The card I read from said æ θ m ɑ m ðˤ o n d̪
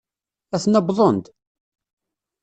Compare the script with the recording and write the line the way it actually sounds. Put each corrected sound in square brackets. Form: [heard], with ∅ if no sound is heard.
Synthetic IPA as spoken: æ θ [n] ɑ [b] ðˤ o n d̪